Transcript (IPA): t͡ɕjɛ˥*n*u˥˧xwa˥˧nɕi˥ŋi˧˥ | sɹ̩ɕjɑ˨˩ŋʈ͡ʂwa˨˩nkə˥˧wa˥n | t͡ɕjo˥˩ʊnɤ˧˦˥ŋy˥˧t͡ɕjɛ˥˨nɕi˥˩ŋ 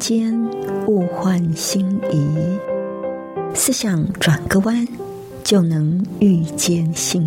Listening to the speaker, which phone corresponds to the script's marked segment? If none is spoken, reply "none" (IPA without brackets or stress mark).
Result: n